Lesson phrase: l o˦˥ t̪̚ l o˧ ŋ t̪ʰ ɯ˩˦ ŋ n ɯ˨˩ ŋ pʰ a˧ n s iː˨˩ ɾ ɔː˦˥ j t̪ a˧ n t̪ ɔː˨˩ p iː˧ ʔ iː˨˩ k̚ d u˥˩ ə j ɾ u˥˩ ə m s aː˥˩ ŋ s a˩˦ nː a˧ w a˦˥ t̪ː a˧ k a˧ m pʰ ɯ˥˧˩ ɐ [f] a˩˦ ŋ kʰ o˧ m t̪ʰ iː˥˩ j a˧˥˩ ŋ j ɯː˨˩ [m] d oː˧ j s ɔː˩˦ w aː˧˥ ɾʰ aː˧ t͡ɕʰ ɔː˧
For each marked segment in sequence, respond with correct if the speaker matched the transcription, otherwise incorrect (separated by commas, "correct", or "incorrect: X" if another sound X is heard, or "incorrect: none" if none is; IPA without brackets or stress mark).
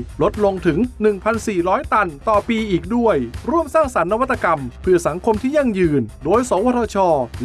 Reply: incorrect: s, incorrect: n